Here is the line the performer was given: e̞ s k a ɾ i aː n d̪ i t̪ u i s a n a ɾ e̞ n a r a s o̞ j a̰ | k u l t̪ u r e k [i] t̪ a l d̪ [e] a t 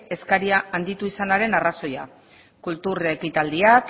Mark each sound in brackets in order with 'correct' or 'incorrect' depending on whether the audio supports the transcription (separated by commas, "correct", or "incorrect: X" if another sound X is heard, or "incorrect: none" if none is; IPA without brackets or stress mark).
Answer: correct, incorrect: i